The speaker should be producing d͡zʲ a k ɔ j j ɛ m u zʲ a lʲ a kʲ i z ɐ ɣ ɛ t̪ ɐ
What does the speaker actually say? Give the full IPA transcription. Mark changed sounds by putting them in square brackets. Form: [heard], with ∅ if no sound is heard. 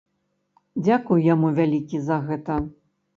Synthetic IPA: d͡zʲ a k [u] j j [a] m u [vʲ] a lʲ [i] kʲ i z ɐ ɣ ɛ t̪ ɐ